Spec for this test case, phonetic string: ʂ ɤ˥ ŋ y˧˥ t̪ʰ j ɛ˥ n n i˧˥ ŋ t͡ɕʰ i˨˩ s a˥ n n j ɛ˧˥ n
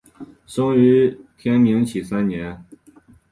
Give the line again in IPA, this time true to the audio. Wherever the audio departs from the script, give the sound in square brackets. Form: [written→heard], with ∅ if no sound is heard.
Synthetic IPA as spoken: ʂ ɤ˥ ŋ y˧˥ t̪ʰ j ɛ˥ n [n→m] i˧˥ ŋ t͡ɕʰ i˨˩ s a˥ n n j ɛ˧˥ n